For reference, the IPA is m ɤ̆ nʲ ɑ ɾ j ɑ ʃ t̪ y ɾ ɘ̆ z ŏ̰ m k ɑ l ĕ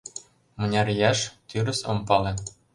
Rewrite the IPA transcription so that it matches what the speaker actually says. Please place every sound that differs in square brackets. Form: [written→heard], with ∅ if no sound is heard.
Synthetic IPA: m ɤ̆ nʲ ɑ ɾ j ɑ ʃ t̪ y ɾ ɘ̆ [z→s] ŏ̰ m [k→p] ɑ l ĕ

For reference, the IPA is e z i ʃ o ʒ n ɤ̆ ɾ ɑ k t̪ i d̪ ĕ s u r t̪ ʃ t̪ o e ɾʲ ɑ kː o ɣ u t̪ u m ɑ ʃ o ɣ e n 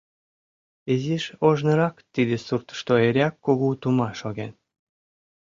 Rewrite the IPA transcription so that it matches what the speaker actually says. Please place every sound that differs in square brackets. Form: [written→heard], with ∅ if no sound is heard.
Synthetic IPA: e z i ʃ o ʒ n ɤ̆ ɾ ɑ k t̪ i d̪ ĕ s u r t̪ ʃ t̪ o e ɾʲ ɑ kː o ɣ u t̪ u m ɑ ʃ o ɣ e n

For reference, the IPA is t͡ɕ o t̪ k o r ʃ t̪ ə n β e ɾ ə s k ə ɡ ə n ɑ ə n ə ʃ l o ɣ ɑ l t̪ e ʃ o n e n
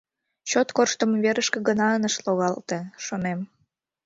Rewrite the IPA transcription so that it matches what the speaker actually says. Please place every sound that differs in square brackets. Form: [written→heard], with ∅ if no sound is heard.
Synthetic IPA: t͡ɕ o t̪ k o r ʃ t̪ ə [n→m] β e ɾ ə [s→ʃ] k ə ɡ ə n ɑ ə n ə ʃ l o ɣ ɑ l t̪ e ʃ o n e [n→m]

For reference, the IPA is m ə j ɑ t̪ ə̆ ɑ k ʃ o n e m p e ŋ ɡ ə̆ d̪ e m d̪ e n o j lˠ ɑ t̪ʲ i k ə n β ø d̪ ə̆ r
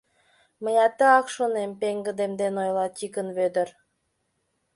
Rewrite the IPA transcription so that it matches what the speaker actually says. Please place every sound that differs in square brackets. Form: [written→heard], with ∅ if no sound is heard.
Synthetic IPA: m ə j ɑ t̪ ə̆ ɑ k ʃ o n e m p e ŋ ɡ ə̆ d̪ e m d̪ e n o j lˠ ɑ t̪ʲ i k ə n β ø d̪ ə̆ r

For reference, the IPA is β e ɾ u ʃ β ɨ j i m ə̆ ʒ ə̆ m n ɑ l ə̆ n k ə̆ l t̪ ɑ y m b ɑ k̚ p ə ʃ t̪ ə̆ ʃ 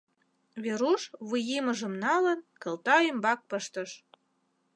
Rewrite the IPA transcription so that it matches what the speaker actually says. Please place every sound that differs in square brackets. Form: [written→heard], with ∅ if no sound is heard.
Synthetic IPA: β e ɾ u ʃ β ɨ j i m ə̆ ʒ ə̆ m n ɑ l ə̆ n k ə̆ l t̪ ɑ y m b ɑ k̚ p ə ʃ t̪ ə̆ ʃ

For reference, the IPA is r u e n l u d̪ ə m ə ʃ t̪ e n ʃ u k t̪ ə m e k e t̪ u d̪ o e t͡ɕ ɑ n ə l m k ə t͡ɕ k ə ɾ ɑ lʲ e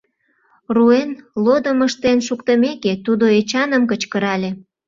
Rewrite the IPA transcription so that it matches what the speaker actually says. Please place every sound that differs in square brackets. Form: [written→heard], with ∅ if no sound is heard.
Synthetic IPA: r u e n l [u→o] d̪ ə m ə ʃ t̪ e n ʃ u k t̪ ə m e k e t̪ u d̪ o e t͡ɕ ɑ n ə [l→∅] m k ə t͡ɕ k ə ɾ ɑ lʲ e

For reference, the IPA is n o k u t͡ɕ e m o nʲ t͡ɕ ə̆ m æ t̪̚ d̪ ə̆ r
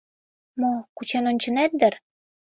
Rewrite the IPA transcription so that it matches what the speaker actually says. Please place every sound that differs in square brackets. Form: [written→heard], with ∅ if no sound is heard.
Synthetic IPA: [n→m] o k u t͡ɕ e [m→n] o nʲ t͡ɕ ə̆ [m→n] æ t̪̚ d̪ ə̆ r

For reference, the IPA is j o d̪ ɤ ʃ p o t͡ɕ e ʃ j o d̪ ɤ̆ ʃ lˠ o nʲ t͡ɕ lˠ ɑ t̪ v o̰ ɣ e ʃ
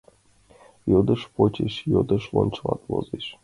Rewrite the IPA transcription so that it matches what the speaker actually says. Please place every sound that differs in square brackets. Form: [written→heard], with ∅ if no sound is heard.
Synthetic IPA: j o d̪ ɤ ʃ p o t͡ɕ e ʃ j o d̪ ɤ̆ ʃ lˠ o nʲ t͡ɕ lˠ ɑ t̪ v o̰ [ɣ→z] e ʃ

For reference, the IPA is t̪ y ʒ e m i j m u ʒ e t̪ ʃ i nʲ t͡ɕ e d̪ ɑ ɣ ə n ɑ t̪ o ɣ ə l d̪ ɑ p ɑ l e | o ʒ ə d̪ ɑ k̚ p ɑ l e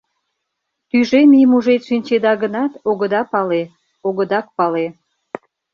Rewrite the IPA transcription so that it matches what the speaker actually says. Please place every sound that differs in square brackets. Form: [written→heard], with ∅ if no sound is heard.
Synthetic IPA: t̪ y ʒ e m i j m u ʒ e t̪ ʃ i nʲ t͡ɕ e d̪ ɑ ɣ ə n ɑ t̪ o ɣ ə [l→∅] d̪ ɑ p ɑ l e | o [ʒ→ɣ] ə d̪ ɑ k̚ p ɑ l e

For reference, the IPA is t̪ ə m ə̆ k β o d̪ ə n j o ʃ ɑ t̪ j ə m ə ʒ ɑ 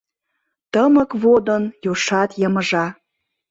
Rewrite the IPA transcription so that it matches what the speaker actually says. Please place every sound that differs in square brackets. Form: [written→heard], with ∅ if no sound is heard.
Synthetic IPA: t̪ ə m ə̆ k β o d̪ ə n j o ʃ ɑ t̪ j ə m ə ʒ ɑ

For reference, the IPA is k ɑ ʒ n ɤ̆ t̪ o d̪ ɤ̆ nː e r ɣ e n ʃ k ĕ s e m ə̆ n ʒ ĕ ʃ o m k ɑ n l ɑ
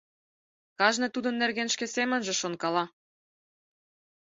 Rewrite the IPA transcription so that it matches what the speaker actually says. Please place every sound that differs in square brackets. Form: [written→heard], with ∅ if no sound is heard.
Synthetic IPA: k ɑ ʒ n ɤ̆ t̪ [o→u] d̪ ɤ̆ nː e r ɣ e n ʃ k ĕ s e m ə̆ n ʒ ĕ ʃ o [m→n] k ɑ [n→∅] l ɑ

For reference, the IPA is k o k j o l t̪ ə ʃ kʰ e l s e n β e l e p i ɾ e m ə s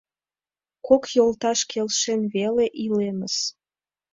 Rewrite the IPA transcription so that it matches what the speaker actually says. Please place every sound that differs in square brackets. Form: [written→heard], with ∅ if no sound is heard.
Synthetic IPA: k o k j o l t̪ [ə→ɑ] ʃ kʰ e l [s→ʃ] e n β e l e [p→ʔ] i [ɾ→l] e m ə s

